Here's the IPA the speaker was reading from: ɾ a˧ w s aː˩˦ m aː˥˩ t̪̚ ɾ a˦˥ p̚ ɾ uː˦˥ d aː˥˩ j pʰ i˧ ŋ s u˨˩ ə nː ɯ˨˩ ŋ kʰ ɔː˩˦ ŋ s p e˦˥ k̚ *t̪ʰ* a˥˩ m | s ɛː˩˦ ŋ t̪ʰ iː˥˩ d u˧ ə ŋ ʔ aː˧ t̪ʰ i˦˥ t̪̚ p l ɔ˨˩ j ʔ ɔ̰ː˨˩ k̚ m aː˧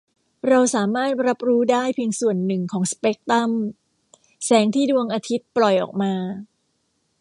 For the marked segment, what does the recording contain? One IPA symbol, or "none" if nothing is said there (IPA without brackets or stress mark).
t̪